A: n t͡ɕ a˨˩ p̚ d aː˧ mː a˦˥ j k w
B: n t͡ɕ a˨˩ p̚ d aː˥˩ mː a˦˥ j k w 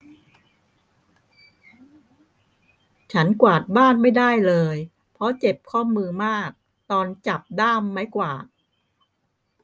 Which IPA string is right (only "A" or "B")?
B